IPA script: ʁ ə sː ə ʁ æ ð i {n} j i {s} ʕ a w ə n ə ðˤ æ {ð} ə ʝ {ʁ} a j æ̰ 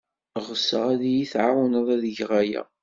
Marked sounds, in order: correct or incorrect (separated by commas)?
incorrect, incorrect, correct, correct